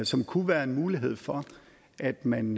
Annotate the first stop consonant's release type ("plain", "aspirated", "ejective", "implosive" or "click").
aspirated